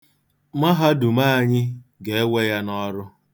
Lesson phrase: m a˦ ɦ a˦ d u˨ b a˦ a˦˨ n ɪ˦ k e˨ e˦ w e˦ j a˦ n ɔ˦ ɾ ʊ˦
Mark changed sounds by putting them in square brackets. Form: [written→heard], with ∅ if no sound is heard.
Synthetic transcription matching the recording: m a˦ ɦ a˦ d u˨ [b→m] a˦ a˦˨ [n→ɲ] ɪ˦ [k→ɡ] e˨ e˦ w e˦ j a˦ n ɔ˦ ɾ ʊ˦